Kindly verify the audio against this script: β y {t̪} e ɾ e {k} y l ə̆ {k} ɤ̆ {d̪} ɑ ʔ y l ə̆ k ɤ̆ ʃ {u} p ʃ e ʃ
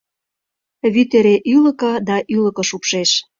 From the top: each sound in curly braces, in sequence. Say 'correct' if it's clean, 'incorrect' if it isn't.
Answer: correct, incorrect, correct, correct, correct

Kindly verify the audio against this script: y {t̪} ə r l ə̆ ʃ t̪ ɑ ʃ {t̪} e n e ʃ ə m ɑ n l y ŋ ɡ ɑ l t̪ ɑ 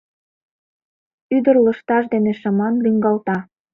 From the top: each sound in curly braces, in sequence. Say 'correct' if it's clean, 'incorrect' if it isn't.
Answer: incorrect, incorrect

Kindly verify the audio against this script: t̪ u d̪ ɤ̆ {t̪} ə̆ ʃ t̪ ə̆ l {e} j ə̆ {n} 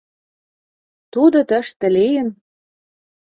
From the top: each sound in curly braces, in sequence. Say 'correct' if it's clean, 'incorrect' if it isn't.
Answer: correct, correct, correct

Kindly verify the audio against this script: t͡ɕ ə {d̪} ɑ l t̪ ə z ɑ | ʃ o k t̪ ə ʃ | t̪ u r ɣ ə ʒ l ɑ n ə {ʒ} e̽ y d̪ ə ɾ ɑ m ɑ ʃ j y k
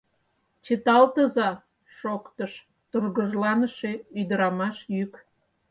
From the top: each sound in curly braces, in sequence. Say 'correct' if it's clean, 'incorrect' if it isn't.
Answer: incorrect, incorrect

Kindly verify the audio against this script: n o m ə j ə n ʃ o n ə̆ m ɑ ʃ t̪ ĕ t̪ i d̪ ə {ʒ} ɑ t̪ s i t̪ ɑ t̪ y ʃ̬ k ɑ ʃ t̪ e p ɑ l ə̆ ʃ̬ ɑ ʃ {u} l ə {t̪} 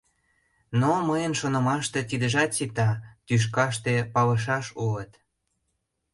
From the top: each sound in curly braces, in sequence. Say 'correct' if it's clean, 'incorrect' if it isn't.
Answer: correct, correct, correct

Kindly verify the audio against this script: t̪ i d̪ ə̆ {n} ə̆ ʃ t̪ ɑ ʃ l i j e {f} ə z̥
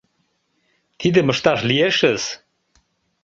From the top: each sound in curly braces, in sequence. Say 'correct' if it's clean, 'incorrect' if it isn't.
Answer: incorrect, incorrect

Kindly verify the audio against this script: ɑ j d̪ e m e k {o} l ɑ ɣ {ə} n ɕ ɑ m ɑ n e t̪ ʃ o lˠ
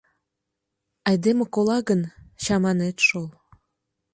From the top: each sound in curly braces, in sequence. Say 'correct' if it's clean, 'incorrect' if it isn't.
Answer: correct, correct

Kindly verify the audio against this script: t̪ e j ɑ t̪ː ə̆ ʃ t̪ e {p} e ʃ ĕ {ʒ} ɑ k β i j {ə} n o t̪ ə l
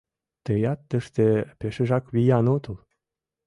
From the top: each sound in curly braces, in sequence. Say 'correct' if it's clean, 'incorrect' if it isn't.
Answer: correct, correct, incorrect

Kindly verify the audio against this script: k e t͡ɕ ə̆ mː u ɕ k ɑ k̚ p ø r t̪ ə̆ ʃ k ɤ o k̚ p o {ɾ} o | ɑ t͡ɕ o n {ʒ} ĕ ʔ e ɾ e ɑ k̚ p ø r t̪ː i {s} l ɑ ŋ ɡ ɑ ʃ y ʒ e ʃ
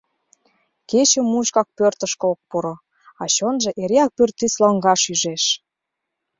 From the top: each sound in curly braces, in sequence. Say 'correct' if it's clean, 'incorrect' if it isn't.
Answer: correct, correct, correct

